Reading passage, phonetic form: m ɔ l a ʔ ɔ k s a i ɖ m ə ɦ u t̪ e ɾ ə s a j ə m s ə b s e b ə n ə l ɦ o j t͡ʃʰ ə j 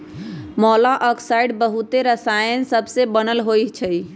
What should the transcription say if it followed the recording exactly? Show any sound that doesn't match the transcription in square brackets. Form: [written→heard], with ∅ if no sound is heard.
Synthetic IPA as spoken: m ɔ l a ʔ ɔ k s a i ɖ [m→b] ə ɦ u t̪ e ɾ ə s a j ə [m→n] s ə b s e b ə n ə l ɦ o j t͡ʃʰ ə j